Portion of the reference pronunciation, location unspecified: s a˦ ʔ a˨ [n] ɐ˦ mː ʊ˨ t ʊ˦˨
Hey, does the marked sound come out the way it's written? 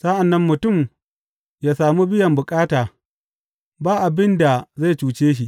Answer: no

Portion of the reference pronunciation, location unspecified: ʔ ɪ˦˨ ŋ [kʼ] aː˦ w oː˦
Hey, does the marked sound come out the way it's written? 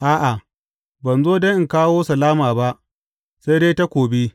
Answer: no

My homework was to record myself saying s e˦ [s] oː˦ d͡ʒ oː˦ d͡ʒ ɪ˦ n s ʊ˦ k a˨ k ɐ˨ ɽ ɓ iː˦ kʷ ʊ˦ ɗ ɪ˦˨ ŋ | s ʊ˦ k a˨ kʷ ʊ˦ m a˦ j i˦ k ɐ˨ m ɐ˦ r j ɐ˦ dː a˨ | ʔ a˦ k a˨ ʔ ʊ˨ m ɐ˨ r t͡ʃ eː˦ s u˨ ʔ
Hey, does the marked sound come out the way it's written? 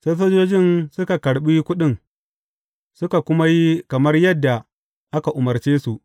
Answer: yes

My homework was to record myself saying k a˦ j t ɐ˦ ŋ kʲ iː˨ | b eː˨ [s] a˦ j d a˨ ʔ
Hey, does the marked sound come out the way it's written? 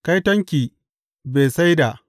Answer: yes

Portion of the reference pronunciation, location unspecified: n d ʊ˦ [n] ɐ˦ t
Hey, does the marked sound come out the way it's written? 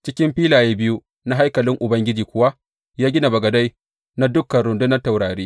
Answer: yes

